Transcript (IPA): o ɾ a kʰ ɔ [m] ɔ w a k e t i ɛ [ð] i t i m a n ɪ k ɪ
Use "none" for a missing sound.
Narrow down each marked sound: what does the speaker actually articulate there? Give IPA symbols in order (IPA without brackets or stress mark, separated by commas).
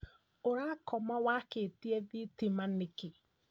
m, ð